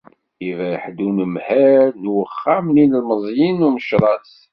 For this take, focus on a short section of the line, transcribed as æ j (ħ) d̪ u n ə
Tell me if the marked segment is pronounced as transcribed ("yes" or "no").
yes